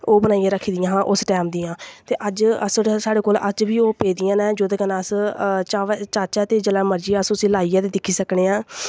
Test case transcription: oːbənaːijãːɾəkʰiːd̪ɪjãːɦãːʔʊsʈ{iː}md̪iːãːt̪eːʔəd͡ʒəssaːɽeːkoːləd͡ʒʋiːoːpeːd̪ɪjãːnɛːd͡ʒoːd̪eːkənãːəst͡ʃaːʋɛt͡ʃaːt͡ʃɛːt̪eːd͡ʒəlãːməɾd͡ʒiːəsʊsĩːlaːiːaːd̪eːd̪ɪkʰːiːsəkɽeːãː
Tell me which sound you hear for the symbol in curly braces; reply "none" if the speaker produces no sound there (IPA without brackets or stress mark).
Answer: ɛː